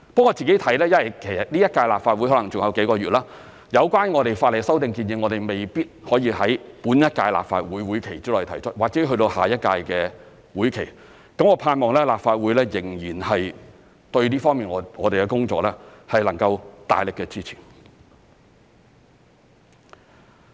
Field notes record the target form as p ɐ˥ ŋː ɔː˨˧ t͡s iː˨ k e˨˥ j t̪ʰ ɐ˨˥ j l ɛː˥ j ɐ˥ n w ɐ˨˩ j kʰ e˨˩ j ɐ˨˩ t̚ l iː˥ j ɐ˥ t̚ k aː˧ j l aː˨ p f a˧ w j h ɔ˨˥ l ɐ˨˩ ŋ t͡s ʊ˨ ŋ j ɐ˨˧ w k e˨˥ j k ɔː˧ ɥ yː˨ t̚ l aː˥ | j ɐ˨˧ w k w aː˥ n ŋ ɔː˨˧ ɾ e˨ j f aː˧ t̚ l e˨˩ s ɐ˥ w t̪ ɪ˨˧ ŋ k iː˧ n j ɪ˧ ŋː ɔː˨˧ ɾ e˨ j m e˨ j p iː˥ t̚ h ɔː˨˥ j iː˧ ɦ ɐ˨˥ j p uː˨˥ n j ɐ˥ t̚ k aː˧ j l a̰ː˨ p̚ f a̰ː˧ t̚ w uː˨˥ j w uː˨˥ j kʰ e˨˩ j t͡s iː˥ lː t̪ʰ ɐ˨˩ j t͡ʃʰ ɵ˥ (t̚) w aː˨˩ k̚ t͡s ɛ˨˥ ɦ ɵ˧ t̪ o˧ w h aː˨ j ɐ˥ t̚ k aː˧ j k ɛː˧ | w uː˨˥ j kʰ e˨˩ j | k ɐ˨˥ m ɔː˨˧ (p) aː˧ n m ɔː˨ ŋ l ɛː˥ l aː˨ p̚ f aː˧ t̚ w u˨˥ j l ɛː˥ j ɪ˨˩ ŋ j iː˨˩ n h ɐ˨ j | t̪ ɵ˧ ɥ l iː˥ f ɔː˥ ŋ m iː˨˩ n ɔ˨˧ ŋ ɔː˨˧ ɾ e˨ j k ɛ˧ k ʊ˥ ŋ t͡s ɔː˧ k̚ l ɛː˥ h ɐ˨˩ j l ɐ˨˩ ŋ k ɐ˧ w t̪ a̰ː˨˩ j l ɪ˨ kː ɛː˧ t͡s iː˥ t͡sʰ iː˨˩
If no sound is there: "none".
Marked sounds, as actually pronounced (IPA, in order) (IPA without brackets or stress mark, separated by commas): t̚, pʰ